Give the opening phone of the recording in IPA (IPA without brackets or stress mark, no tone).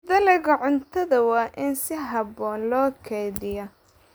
d̪